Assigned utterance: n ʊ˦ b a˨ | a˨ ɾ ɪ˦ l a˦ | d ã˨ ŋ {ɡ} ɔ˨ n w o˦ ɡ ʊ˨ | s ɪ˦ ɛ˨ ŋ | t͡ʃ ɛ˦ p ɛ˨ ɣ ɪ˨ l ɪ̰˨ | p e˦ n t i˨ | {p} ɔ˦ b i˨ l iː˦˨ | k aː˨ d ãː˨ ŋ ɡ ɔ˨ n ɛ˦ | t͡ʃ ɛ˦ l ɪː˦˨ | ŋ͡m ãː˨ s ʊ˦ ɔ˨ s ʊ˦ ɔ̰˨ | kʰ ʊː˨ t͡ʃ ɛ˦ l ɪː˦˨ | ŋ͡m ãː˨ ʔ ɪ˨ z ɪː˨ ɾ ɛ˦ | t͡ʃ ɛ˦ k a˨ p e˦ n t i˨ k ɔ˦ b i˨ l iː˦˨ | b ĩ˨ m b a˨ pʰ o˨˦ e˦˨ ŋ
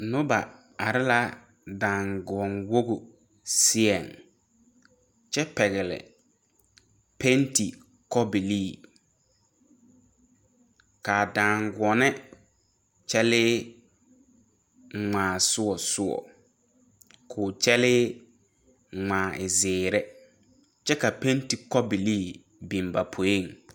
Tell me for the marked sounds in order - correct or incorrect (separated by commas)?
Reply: correct, incorrect